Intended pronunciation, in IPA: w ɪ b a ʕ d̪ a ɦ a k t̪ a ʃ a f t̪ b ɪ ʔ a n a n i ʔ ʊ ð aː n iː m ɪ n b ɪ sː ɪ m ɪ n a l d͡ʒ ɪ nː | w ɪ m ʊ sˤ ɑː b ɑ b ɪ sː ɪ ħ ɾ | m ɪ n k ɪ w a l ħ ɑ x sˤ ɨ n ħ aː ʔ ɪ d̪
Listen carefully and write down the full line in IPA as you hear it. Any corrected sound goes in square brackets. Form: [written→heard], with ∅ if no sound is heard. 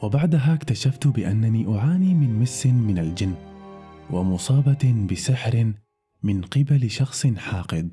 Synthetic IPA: w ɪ b a ʕ d̪ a ɦ a k t̪ a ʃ a f t̪ b ɪ ʔ a [n→nː] a n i ʔ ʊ [ð→ʕ] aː n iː m ɪ n [b→m] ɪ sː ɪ m ɪ n a l d͡ʒ ɪ nː | w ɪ m ʊ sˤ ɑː b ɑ b ɪ [sː→s] ɪ ħ ɾ | m ɪ n [k→q] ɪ [w→b] a l [ħ→ʃ] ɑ x sˤ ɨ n ħ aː [ʔ→q] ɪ d̪